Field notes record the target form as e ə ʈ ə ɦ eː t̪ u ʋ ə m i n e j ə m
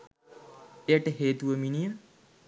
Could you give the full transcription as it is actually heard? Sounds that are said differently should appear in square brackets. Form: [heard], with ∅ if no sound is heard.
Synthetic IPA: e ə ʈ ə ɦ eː t̪ u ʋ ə m i n [i] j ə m